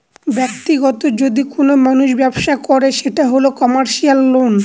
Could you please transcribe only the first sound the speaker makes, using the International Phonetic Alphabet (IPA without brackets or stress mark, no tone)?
b